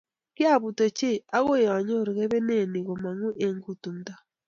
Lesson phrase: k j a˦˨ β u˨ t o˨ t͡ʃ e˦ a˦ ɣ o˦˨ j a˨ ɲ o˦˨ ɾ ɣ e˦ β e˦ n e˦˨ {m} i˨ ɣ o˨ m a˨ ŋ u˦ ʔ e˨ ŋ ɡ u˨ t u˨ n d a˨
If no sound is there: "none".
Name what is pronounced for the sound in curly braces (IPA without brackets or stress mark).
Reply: n